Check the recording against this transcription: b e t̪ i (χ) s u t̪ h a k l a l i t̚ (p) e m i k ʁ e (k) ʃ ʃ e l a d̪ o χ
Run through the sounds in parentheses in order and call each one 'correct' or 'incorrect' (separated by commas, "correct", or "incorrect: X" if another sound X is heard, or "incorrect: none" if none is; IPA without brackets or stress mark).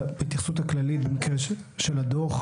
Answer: correct, incorrect: b, incorrect: none